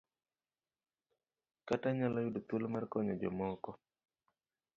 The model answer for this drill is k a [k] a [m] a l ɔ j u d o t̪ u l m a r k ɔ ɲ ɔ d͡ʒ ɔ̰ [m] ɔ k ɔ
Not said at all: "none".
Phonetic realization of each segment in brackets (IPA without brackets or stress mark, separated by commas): t, ɲ, m